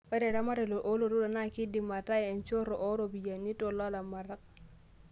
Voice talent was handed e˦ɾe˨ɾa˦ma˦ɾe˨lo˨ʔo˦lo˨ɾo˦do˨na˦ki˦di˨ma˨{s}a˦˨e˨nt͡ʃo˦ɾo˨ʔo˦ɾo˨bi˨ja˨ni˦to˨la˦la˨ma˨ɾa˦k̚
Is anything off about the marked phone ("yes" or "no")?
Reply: yes